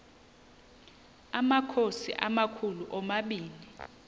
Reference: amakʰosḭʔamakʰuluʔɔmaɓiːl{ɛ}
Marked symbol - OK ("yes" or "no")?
no